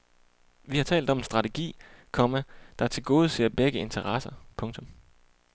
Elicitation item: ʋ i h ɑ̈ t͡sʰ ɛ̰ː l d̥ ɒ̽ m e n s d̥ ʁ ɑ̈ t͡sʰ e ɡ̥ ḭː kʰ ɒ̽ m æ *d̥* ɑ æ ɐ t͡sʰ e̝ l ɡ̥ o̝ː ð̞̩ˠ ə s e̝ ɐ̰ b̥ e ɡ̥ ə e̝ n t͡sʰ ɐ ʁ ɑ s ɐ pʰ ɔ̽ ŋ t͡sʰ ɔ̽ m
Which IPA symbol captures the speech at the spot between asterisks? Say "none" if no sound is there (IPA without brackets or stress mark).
d̥